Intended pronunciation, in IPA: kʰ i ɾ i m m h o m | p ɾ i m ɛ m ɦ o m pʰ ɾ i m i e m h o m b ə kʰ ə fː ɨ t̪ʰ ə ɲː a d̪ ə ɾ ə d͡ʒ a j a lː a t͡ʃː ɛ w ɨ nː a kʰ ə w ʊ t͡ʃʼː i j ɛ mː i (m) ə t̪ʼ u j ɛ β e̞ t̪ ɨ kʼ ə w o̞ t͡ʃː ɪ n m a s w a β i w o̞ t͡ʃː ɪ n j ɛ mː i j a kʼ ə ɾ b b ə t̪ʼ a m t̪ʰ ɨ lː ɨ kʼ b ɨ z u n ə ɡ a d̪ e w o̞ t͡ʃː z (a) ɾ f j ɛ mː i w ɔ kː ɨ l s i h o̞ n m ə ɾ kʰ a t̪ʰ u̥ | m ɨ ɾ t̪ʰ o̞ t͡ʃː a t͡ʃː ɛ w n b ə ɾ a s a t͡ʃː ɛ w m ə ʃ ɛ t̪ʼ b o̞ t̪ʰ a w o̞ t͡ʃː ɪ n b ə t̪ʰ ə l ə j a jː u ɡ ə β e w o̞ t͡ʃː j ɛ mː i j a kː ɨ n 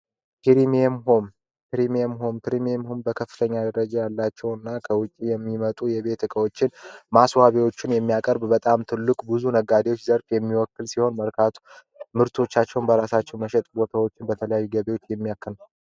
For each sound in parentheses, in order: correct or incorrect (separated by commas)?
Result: correct, incorrect